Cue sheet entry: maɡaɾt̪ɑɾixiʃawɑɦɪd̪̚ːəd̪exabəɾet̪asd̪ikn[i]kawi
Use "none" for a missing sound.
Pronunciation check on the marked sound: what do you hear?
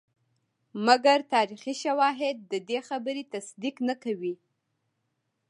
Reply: a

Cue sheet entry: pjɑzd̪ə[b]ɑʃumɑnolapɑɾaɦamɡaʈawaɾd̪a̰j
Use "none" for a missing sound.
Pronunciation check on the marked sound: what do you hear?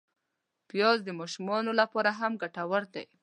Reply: m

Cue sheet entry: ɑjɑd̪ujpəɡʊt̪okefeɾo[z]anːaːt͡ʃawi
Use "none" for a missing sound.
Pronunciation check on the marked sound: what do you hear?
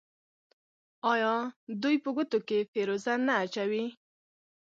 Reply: z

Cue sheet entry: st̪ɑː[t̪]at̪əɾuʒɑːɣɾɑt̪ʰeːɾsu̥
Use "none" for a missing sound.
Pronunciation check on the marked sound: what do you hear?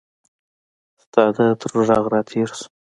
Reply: d̪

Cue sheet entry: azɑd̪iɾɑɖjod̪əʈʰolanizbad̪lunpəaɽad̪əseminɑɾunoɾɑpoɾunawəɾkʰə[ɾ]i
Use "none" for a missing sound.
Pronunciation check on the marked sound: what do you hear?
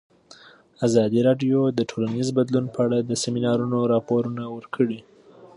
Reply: ɽ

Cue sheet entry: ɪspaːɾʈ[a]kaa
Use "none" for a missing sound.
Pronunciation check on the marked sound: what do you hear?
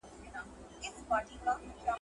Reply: i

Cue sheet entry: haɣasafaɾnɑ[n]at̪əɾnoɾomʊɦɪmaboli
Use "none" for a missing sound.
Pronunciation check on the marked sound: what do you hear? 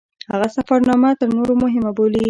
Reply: m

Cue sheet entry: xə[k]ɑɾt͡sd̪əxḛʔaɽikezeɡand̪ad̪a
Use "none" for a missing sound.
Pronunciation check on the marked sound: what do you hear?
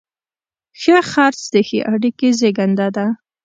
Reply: x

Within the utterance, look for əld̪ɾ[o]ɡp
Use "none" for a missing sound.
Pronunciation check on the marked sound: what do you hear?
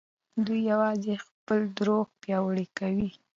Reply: o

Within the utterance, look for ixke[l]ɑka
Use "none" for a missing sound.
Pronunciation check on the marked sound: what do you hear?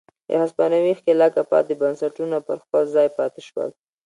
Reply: l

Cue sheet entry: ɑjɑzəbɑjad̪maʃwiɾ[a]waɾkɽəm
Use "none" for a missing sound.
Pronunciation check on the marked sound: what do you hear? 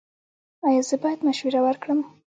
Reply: a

